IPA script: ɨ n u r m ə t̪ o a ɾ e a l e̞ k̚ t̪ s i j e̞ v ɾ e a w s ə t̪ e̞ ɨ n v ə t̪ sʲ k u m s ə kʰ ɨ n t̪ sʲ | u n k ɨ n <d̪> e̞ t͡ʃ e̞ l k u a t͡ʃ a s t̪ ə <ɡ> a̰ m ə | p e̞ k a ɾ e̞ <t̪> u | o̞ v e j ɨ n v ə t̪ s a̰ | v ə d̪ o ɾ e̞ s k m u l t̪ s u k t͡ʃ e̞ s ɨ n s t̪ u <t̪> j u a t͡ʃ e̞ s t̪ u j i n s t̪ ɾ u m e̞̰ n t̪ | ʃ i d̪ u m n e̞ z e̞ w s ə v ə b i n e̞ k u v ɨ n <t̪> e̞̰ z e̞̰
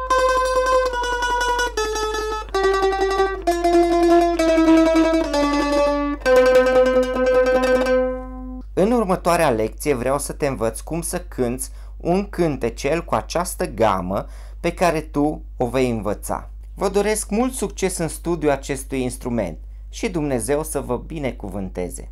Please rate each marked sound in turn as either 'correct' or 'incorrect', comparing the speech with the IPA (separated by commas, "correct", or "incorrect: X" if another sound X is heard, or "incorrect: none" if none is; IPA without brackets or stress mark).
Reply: incorrect: t̪, correct, correct, incorrect: d̪, correct